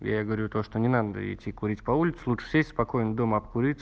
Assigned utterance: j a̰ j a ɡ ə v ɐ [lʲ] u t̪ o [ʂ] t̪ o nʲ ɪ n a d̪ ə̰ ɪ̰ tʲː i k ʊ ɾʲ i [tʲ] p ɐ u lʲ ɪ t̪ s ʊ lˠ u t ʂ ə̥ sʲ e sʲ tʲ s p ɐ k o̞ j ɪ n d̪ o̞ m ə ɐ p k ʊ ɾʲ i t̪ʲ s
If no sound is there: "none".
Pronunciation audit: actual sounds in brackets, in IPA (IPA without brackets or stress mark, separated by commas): ɾʲ, ʂ, tʲ